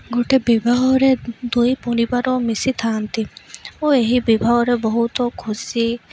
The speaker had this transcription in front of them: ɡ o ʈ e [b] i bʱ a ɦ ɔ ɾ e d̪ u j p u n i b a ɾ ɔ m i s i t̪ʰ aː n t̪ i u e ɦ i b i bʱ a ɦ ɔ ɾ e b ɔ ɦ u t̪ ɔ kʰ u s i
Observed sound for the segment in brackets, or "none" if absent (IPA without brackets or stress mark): b